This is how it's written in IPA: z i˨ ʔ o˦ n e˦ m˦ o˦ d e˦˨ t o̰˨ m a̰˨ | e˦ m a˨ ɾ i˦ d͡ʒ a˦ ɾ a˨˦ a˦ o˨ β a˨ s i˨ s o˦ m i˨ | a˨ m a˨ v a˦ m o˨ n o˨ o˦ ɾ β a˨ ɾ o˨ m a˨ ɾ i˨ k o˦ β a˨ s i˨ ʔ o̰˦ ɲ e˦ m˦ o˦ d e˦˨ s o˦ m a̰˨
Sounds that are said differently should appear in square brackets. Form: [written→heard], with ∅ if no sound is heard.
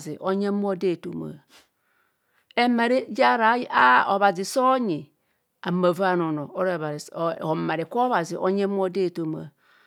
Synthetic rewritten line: z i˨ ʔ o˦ [n→ɲ] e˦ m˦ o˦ d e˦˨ t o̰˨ m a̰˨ | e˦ m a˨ ɾ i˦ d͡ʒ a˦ ɾ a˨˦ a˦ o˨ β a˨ [s→z] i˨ s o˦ [m→ɲ] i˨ | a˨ m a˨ v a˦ [m→n] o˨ n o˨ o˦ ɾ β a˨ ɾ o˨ m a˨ ɾ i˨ k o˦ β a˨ [s→z] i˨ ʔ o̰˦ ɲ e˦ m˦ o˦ d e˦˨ [s→t] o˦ m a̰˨